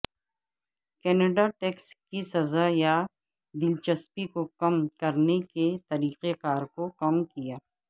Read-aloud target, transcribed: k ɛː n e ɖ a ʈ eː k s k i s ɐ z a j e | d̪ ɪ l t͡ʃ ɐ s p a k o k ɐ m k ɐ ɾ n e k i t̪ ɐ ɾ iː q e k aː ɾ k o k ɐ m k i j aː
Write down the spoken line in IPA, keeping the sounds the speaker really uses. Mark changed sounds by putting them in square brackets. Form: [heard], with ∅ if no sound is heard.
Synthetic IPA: k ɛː n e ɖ a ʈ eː k s k i s ɐ z a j [a] | d̪ ɪ l t͡ʃ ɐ s p [i] k o k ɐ m k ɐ ɾ n e k [e] t̪ ɐ ɾ iː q e k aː ɾ k o k ɐ m k i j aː